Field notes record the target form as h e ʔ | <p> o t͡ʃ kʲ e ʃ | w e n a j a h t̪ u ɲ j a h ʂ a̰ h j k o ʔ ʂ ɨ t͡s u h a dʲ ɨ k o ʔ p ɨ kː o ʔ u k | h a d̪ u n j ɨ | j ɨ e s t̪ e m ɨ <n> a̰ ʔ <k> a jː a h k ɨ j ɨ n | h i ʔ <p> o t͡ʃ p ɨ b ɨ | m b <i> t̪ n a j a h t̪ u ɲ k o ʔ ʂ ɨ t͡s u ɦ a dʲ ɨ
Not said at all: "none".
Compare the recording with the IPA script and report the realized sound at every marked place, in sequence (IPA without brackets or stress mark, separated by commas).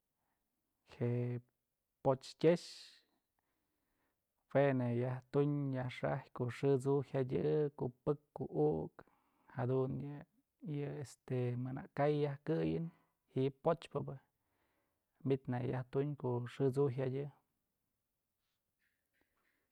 p, n, k, p, i